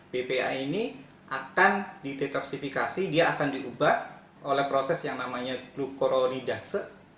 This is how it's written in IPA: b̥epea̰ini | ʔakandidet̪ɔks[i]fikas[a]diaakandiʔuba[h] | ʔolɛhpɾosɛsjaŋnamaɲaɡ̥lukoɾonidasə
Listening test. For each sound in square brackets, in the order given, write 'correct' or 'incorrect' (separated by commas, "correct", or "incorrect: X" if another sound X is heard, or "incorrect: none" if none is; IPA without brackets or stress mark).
correct, incorrect: i, correct